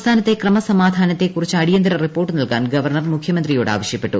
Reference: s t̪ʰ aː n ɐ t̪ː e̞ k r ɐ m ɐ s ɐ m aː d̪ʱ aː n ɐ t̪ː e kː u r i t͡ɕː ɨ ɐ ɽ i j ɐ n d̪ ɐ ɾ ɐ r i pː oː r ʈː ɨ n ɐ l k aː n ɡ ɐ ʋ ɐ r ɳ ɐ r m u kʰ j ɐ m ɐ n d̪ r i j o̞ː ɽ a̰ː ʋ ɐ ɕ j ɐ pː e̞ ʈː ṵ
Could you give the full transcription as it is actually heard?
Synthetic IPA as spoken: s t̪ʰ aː n ɐ t̪ː e̞ k r ɐ m ɐ s ɐ m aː d̪ʱ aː n ɐ t̪ː e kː u r i t͡ɕː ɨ ɐ ɽ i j ɐ n d̪ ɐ ɾ ɐ r i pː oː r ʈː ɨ n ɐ l k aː n ɡ ɐ ʋ ɐ r ɳ ɐ r m u kʰ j ɐ m ɐ n d̪ r i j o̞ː ɽ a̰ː ʋ ɐ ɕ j ɐ pː e̞ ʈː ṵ